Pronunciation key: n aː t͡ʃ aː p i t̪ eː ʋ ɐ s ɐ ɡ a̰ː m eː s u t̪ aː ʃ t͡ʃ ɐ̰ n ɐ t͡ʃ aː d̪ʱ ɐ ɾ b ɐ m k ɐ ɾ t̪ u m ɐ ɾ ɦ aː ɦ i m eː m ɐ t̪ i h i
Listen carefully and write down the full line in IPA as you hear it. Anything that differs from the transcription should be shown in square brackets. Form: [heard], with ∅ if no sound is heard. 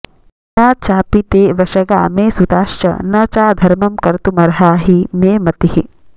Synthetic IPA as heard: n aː t͡ʃ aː p i t̪ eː ʋ ɐ [ʃ] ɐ ɡ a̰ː m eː s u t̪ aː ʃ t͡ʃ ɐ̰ n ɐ t͡ʃ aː d̪ʱ ɐ ɾ [m] ɐ m k ɐ ɾ t̪ u m ɐ ɾ ɦ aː ɦ i m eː m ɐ t̪ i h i